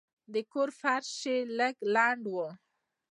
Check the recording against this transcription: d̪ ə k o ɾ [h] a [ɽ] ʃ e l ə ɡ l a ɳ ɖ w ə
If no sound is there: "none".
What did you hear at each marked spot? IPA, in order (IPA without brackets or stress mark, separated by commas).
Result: f, ɾ